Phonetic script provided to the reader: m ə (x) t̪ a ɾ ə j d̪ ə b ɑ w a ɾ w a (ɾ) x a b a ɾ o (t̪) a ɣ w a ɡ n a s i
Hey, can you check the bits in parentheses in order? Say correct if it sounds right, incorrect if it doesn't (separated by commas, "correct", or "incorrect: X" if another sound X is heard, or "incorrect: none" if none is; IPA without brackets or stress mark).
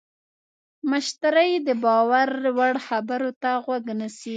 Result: incorrect: ʃ, incorrect: ɽ, correct